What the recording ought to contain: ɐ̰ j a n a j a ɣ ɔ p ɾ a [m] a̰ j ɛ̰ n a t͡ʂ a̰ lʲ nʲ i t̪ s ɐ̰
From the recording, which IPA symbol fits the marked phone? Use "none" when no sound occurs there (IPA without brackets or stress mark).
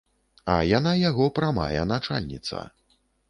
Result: m